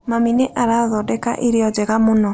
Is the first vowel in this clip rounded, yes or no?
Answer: no